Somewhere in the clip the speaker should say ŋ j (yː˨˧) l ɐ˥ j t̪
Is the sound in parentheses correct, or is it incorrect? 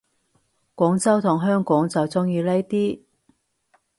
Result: incorrect